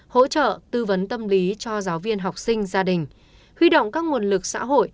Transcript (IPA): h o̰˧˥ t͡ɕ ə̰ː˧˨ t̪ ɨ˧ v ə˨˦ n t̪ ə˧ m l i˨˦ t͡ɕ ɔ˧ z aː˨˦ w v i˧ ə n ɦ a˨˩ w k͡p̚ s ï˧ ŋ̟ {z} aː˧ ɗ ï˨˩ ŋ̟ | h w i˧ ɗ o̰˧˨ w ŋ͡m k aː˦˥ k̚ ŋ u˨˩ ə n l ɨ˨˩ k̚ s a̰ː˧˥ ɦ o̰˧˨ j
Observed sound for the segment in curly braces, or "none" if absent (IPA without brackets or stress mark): z